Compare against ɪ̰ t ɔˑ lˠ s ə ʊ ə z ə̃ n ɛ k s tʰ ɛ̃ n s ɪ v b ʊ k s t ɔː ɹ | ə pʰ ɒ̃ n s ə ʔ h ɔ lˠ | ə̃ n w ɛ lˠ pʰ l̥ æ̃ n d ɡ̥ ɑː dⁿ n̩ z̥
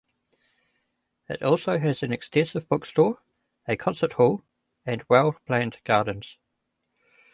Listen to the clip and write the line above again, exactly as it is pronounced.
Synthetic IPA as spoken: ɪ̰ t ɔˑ lˠ s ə ʊ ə z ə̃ n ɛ k s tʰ ɛ̃ n s ɪ v b ʊ k s t ɔː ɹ | ə kʰ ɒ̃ n s ə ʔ h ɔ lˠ | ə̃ n w ɛ lˠ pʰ l̥ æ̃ n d ɡ̥ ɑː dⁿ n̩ z̥

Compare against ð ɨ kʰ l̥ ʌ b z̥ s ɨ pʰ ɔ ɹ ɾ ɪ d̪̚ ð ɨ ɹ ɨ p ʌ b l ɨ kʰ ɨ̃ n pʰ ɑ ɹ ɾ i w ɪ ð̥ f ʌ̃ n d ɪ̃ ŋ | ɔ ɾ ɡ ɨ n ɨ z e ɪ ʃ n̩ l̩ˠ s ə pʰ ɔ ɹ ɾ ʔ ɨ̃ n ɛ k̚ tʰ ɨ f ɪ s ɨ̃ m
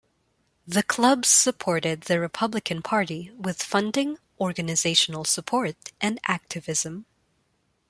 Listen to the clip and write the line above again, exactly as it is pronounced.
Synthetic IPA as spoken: ð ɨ kʰ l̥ ʌ b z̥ s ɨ pʰ ɔ ɹ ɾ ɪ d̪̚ ð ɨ ɹ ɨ pʰ ʌ b l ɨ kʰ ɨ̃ n pʰ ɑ ɹ ɾ i w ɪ ð̥ f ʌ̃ n d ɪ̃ ŋ | ɔ ɹ ɡ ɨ n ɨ z e ɪ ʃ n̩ l̩ˠ s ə pʰ ɔ ɹ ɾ ʔ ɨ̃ n æ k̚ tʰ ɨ v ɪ z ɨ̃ m

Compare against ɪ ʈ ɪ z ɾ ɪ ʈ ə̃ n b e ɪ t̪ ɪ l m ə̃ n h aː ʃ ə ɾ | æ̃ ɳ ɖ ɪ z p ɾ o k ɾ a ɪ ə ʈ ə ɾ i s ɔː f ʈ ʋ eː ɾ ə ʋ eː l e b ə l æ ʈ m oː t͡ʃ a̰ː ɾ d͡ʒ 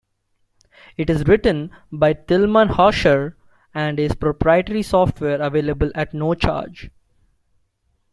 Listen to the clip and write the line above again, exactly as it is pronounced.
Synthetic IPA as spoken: ɪ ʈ ɪ z ɾ ɪ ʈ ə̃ n b a ɪ t̪ ɪ l m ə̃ n h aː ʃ ə ɾ | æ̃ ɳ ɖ ɪ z p ɾ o p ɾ a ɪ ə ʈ ə ɾ i s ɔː f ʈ ʋ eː ɾ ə ʋ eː l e b ə l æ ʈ n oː t͡ʃ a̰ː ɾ d͡ʒ

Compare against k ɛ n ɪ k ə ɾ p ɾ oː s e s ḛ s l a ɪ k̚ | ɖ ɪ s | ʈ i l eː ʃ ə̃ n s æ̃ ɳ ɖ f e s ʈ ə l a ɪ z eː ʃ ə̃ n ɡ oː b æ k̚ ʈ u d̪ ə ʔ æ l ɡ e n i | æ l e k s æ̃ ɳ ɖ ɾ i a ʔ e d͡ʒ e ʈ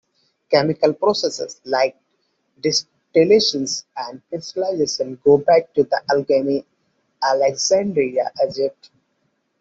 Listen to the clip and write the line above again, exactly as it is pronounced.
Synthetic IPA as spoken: k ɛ m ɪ k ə l p ɾ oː s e s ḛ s l a ɪ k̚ | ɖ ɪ s | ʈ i l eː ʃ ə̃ n s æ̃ ɳ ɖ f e s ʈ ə l a ɪ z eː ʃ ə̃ n ɡ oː b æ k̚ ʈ u d̪ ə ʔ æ l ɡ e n i | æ l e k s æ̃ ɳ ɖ ɾ i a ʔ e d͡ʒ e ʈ

